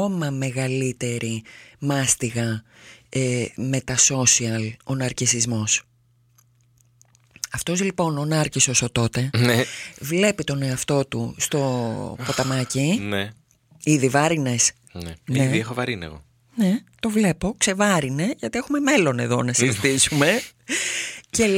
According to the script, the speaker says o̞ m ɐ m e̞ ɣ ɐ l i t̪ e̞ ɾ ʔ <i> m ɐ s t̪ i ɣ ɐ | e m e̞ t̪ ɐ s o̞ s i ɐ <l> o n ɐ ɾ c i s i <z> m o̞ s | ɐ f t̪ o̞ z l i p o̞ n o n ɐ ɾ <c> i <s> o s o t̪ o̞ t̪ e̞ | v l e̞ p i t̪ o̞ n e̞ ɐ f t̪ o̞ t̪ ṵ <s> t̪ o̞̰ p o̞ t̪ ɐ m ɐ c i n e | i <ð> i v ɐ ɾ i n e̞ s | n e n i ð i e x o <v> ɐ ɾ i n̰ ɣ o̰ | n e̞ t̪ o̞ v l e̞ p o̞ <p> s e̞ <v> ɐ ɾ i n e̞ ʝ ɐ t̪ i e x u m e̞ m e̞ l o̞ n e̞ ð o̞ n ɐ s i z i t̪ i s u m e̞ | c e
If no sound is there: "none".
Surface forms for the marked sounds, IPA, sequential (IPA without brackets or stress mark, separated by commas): i, l, z, c, s, s, ð, v, k, v